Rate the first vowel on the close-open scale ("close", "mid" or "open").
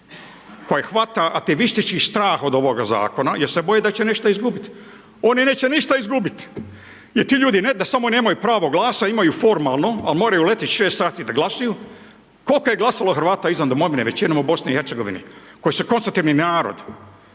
mid